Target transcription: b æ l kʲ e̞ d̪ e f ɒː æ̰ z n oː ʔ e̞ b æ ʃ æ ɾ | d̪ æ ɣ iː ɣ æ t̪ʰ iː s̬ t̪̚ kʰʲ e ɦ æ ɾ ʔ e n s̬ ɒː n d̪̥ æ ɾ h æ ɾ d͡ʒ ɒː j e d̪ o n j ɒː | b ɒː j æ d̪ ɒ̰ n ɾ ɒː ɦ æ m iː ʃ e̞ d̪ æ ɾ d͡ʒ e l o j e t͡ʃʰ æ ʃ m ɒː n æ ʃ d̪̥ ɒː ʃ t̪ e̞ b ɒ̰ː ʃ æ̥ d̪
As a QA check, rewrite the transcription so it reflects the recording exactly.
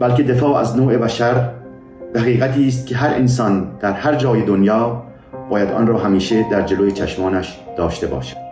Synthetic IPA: b æ l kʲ e̞ d̪ e f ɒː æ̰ z n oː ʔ e̞ b æ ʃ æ ɾ | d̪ æ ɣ iː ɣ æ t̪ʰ iː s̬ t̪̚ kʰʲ e ɦ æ ɾ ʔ e n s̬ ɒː n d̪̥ æ ɾ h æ ɾ d͡ʒ ɒː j e d̪ o n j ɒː | b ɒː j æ d̪ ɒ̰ n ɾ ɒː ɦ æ m iː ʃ e̞ d̪ æ ɾ d͡ʒ e l o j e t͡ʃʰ æ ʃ m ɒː n æ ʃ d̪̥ ɒː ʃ t̪ e̞ b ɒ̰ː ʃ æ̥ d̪